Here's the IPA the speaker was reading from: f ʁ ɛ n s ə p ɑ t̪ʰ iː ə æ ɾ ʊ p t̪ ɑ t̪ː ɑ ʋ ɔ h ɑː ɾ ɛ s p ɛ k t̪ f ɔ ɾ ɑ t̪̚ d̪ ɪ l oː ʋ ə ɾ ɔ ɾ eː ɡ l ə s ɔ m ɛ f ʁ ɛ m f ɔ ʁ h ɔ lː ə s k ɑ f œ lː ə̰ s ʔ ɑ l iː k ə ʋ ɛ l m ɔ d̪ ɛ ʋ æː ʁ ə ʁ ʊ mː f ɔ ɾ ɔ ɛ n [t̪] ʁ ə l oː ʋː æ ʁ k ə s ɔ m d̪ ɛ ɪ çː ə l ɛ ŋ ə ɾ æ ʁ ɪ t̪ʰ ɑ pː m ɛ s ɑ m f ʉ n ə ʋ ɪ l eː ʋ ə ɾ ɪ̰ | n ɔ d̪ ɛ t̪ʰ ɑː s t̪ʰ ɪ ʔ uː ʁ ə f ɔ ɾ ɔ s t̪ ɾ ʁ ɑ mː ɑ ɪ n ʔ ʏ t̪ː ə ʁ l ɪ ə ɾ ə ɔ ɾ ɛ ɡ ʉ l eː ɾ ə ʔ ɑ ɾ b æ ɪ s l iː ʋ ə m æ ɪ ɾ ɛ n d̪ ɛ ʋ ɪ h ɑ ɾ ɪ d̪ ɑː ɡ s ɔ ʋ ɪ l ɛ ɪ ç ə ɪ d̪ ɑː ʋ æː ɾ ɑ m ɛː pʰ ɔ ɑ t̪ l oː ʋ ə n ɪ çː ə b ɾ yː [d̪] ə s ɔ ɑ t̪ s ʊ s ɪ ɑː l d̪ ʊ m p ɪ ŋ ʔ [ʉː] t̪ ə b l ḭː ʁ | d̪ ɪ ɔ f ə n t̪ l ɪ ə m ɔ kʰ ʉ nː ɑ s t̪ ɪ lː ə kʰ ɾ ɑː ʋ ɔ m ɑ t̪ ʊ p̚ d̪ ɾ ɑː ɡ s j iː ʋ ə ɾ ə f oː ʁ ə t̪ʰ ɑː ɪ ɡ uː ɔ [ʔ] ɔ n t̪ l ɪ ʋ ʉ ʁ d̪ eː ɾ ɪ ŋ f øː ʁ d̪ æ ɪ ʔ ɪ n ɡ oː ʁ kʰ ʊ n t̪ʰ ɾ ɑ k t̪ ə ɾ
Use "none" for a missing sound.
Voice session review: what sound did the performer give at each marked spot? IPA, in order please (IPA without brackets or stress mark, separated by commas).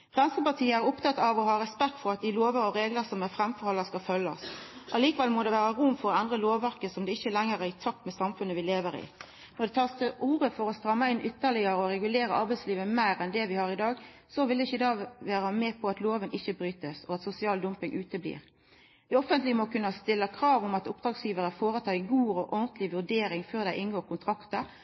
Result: d̪, t̪, ʉː, ʔ